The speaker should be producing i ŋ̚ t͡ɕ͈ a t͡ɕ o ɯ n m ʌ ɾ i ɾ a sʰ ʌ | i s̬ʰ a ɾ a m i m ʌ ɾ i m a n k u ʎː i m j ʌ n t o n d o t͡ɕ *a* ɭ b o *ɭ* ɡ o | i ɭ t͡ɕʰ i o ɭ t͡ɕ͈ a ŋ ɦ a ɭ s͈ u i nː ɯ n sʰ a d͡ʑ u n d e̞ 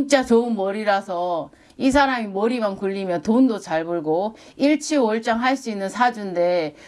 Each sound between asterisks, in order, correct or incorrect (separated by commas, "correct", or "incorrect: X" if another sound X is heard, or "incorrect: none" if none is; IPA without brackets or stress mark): correct, correct